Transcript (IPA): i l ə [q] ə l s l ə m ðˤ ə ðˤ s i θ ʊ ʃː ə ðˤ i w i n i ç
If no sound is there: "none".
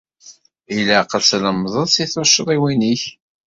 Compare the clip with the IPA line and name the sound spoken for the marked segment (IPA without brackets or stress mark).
q